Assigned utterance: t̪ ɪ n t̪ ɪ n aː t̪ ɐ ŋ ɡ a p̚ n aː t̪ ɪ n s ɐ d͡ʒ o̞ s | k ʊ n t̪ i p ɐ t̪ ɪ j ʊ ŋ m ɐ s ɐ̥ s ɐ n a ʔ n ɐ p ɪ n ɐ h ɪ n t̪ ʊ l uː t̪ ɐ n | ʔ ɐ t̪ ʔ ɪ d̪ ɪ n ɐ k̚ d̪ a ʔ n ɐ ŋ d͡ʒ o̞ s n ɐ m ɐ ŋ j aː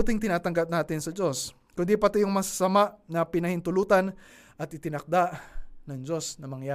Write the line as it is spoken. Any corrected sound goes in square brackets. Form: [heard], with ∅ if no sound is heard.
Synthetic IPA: t̪ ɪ [ŋ] t̪ ɪ n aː t̪ ɐ ŋ ɡ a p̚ n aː t̪ ɪ n s ɐ d͡ʒ o̞ s | k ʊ n [d̪] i p ɐ t̪ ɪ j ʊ ŋ m ɐ s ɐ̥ s ɐ [m] a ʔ n ɐ p ɪ n ɐ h ɪ n t̪ ʊ l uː t̪ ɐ n | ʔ ɐ t̪ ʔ ɪ [t̪] ɪ n ɐ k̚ d̪ a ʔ n ɐ ŋ d͡ʒ o̞ s n ɐ m ɐ ŋ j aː